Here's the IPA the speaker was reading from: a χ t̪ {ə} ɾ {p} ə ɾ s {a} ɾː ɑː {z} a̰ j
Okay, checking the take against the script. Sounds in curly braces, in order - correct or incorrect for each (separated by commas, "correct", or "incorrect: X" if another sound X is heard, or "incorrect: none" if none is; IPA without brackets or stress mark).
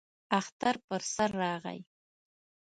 incorrect: a, correct, correct, incorrect: ʁ